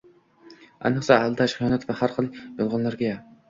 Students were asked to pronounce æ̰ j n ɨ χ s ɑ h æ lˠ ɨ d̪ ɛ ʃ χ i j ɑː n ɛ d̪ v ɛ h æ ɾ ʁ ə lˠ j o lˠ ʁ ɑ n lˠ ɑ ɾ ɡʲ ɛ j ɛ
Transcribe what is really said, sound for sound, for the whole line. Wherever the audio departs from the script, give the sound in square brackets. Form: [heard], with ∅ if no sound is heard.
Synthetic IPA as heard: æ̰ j n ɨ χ s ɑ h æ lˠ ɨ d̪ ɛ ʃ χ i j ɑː n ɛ [t̪] v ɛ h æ ɾ [χ] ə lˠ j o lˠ ʁ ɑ n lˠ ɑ ɾ ɡʲ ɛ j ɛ

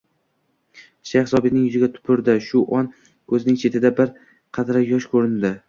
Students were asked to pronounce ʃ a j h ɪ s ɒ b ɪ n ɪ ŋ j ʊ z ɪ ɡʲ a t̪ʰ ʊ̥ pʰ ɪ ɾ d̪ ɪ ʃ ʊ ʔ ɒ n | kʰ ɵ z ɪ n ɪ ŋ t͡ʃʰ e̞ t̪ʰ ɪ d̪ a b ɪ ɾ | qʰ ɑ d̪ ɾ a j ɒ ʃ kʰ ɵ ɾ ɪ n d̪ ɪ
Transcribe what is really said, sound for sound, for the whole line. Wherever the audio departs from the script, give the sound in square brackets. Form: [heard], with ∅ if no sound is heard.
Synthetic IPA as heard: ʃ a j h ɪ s ɒ b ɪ n ɪ ŋ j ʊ z ɪ ɡʲ a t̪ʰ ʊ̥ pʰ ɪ ɾ d̪ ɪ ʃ ʊ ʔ ɒ n | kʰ ɵ z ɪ n ɪ ŋ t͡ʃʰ e̞ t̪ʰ ɪ d̪ a b ɪ ɾ | qʰ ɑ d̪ ɾ a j ɒ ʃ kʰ ɵ ɾ ɪ n d̪ ɪ

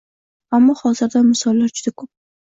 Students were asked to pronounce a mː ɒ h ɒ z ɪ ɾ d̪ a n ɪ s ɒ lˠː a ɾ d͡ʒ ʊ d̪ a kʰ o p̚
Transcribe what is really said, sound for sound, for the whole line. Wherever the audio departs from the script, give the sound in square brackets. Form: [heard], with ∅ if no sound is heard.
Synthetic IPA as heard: a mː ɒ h ɒ z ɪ ɾ d̪ a [m] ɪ s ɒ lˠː a ɾ d͡ʒ ʊ d̪ a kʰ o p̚

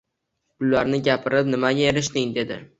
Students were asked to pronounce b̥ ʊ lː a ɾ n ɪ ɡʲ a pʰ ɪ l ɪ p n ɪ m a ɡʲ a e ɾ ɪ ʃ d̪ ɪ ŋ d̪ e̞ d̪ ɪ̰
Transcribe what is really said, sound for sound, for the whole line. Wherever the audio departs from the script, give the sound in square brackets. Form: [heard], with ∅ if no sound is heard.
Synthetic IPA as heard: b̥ ʊ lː a ɾ n ɪ ɡʲ a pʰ ɪ [ɾ] ɪ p n ɪ m a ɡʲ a e ɾ ɪ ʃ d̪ ɪ ŋ d̪ e̞ d̪ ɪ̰

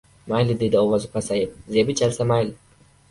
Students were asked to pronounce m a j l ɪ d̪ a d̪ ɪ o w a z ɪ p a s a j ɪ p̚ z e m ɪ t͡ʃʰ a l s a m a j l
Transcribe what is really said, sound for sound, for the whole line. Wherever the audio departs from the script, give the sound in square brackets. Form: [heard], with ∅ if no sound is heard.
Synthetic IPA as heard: m a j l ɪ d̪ [e] d̪ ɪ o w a z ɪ p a s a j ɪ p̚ z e [b] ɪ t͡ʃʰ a l s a m a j l

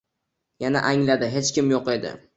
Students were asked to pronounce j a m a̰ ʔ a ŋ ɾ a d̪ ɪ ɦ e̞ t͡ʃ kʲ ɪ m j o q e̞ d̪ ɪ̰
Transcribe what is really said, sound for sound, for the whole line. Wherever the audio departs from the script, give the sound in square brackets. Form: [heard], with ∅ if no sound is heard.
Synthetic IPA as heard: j a [n] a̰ ʔ a ŋ [l] a d̪ ɪ ɦ e̞ t͡ʃ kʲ ɪ m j o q e̞ d̪ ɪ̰

